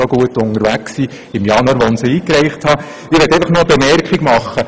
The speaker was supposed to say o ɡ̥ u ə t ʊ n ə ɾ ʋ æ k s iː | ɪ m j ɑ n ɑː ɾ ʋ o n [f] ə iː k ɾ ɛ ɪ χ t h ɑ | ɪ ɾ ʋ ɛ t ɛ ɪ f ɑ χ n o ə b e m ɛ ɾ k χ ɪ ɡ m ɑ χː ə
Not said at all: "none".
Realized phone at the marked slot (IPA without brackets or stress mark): s